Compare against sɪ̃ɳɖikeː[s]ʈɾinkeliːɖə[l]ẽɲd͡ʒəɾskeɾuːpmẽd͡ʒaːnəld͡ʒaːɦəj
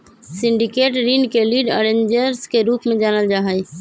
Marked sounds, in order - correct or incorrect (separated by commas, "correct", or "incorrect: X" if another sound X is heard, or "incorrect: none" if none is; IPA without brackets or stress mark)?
incorrect: none, incorrect: ɾ